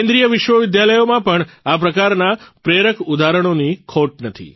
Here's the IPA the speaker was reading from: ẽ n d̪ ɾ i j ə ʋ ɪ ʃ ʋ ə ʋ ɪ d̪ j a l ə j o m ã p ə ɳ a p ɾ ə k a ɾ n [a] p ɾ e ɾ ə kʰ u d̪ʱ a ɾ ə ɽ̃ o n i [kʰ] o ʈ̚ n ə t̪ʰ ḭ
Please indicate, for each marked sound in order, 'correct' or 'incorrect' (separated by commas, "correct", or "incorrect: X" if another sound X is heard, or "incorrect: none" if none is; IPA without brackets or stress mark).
correct, correct